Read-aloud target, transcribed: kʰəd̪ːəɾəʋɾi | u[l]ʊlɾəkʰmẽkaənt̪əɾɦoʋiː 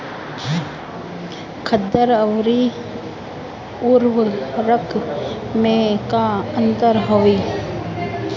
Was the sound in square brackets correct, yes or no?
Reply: no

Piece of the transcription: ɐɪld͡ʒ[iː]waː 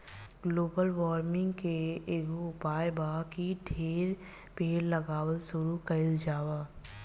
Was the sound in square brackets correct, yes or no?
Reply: no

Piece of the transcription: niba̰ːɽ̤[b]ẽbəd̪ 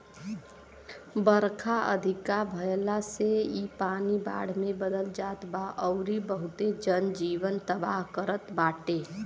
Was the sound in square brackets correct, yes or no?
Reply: no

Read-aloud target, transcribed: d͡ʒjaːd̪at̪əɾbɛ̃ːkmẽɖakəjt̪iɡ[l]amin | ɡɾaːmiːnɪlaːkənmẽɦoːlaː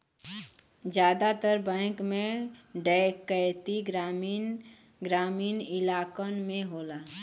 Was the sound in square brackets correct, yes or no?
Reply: no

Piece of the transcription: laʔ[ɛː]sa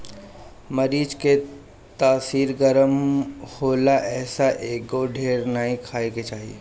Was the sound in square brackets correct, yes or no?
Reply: yes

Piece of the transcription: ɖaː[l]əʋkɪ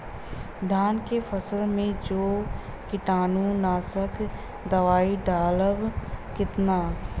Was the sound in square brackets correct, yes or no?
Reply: yes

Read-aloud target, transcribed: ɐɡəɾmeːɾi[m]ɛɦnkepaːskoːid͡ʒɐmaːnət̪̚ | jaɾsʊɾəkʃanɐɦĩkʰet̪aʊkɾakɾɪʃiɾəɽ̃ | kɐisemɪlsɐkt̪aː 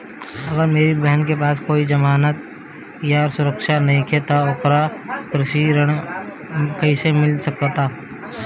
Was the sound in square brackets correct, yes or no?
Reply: no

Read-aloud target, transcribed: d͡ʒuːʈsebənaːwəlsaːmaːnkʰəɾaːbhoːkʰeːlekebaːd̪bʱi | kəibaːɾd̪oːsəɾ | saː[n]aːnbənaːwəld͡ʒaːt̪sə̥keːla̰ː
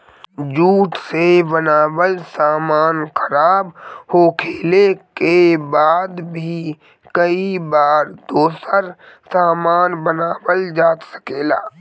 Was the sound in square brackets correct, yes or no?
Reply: no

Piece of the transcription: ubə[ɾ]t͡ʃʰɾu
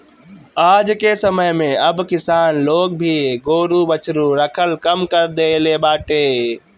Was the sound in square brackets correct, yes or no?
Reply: no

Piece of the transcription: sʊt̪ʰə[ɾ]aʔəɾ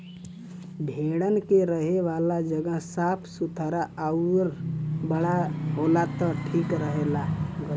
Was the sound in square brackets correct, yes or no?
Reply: yes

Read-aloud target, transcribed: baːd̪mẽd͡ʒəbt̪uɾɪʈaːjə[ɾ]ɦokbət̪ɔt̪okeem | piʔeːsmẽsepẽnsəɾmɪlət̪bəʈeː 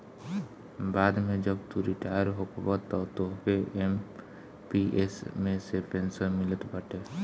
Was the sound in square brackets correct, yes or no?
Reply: yes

